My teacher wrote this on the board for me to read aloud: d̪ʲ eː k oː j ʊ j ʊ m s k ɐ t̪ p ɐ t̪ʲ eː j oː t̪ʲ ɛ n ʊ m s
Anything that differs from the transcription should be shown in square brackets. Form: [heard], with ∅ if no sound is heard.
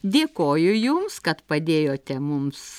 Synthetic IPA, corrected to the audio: d̪ʲ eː k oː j ʊ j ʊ m s k ɐ t̪ p ɐ [d̪ʲ] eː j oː t̪ʲ ɛ [m] ʊ m s